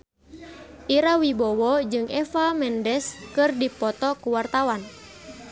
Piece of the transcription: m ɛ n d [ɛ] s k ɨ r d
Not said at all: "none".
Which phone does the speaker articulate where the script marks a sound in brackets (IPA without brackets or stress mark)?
ɛ